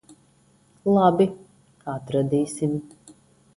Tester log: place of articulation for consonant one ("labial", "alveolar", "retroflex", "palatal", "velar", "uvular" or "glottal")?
alveolar